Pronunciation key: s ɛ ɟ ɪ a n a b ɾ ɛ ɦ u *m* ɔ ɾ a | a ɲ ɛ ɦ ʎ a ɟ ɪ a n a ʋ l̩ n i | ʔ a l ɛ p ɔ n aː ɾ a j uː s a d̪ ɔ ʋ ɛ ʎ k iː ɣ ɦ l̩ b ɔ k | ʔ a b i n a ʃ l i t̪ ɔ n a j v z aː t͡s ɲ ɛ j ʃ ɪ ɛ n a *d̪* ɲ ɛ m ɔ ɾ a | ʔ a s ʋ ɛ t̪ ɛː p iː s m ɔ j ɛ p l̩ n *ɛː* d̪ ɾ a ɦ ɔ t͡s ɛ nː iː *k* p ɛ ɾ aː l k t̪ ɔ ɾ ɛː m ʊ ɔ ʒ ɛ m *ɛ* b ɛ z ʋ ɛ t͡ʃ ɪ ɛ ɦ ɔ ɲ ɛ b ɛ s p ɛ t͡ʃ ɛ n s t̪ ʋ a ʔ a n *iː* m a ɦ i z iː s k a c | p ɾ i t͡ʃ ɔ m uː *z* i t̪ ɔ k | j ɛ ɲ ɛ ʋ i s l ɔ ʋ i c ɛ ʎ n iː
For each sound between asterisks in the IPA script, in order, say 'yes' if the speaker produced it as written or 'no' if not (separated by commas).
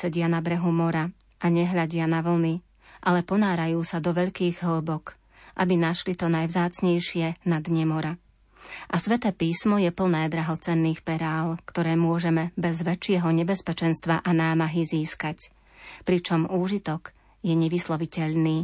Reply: yes, yes, yes, no, yes, no, no